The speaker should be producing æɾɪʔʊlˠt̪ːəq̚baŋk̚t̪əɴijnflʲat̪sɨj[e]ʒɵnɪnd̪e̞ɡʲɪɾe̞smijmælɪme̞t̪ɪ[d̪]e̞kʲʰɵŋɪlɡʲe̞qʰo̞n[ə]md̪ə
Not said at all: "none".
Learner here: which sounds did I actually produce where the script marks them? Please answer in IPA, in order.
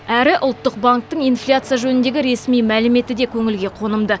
a, d̪, ə

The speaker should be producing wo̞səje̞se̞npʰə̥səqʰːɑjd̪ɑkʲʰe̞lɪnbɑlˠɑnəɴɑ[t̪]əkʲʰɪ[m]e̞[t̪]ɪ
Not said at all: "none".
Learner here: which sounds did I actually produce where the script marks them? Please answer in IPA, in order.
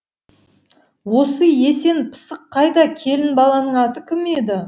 t̪, m, d̪

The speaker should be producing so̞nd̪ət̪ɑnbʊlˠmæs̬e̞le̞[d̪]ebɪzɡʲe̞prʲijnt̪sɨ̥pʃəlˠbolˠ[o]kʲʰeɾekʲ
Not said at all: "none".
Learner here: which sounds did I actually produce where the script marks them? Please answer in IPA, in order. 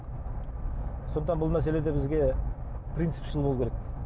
d̪, u

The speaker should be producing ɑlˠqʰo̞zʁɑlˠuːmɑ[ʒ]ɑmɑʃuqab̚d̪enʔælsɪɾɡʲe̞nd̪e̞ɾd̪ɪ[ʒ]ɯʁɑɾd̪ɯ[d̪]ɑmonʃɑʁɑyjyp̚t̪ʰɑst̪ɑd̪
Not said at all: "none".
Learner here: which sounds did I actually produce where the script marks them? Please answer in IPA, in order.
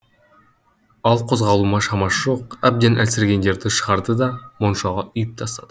ʃ, ʃ, d̪

